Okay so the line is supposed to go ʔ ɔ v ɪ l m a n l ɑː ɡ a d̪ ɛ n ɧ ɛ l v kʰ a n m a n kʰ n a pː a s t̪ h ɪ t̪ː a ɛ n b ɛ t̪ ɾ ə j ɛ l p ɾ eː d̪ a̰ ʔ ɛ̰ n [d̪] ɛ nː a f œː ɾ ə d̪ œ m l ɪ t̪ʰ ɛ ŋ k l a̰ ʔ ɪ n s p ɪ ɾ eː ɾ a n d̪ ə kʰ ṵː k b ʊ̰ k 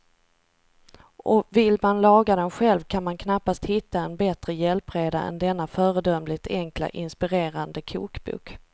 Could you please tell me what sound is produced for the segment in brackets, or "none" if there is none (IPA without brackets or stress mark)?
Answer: d̪